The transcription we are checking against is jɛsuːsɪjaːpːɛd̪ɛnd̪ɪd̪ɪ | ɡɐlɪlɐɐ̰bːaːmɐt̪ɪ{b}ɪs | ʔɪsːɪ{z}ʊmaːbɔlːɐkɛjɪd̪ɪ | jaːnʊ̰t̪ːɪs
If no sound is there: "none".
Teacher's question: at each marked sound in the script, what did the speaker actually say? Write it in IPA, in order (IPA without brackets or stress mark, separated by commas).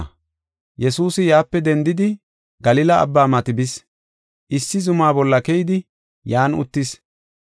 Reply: b, z